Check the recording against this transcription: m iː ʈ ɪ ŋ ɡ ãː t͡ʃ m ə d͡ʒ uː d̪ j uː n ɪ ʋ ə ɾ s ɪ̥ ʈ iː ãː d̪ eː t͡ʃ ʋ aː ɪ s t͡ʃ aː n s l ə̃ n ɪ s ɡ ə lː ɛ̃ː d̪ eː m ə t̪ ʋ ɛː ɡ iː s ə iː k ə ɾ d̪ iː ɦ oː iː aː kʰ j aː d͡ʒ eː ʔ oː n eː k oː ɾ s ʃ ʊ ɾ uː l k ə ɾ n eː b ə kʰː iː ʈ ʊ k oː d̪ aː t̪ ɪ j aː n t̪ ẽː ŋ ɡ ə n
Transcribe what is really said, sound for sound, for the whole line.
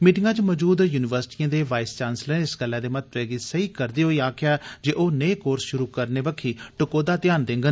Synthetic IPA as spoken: m iː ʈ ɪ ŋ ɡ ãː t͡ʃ m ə d͡ʒ uː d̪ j uː n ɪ ʋ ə ɾ s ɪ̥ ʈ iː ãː d̪ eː ʋ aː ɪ s t͡ʃ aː n s l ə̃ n ɪ s ɡ ə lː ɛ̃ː d̪ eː m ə t̪ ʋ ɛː ɡ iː s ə iː k ə ɾ d̪ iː ɦ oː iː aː kʰ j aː d͡ʒ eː ʔ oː n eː k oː ɾ s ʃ ʊ ɾ uː k ə ɾ n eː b ə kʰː iː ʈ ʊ k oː d̪ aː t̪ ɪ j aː n d̪ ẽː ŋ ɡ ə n